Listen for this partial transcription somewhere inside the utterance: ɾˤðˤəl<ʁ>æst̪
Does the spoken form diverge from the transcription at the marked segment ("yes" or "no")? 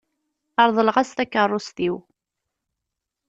no